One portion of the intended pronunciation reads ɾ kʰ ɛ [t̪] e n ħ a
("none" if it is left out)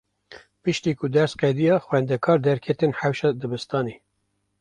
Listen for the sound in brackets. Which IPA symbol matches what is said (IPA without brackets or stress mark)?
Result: t̪